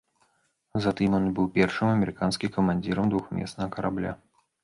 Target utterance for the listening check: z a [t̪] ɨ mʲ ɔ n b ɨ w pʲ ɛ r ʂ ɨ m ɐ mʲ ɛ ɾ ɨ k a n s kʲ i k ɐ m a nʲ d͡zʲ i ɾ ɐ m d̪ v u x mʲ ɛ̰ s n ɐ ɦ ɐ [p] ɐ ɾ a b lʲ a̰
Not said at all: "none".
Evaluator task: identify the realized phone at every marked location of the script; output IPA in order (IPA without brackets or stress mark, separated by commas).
t̪, k